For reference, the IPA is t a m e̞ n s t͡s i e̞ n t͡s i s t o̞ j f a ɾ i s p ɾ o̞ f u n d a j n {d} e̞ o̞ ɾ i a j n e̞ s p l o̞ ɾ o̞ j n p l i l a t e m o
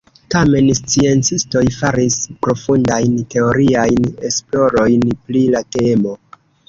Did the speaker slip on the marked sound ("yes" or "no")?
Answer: yes